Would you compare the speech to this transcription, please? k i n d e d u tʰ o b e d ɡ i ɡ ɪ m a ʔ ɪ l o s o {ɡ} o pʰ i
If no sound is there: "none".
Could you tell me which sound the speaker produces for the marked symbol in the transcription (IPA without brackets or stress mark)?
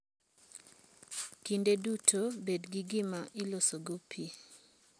ɡ